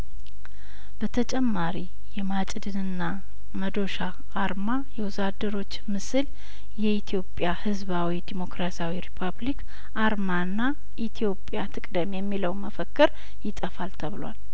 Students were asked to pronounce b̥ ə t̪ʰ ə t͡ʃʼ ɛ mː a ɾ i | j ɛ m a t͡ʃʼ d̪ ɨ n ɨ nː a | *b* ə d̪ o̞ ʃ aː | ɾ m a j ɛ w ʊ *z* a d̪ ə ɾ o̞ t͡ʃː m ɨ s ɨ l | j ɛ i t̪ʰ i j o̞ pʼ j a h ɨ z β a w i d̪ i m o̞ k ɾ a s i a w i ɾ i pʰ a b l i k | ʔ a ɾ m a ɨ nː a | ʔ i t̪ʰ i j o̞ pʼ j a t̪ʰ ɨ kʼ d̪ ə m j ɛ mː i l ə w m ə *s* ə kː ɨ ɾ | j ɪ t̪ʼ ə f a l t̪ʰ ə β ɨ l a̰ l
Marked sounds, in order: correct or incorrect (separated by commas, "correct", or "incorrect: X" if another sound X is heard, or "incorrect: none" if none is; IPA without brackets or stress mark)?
incorrect: m, correct, incorrect: f